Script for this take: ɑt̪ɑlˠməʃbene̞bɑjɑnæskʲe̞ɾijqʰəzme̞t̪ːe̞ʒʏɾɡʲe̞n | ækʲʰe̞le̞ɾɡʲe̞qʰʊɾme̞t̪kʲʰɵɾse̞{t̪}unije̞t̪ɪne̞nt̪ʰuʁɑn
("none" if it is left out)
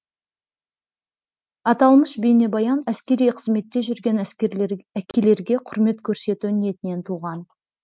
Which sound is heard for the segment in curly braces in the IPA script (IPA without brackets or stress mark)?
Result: t̪